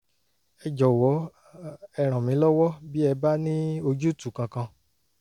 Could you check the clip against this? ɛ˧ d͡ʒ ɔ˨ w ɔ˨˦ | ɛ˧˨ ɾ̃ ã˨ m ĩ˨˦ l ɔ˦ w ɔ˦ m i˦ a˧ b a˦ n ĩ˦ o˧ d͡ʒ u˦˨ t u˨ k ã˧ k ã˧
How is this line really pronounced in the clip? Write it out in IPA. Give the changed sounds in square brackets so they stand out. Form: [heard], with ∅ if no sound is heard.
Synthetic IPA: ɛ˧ d͡ʒ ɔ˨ w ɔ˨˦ | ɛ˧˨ ɾ̃ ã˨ m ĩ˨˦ l ɔ˦ w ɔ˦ [b] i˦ [ɛ˧] b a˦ n ĩ˦ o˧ d͡ʒ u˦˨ t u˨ k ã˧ k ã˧